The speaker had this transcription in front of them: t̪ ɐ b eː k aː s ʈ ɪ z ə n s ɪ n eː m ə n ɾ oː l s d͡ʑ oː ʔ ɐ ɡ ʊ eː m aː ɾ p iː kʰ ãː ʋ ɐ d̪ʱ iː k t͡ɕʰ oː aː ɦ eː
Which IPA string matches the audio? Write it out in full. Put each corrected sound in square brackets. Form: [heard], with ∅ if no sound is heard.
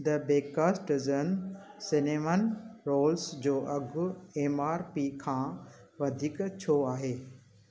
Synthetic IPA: [d̪] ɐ b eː k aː s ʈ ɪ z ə n s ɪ n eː m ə n ɾ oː l s d͡ʑ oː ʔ ɐ ɡ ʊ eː m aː ɾ p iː kʰ ãː ʋ ɐ d̪ʱ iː k t͡ɕʰ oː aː ɦ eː